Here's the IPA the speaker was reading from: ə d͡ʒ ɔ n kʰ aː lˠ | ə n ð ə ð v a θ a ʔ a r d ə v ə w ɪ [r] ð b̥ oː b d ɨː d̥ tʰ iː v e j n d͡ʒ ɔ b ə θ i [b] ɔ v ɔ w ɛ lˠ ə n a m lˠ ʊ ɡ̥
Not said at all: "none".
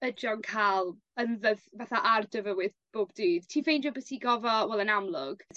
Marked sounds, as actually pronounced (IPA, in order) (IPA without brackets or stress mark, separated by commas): none, ɡ